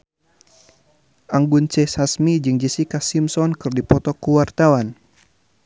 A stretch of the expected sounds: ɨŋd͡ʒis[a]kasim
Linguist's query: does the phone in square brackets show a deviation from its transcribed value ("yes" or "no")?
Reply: yes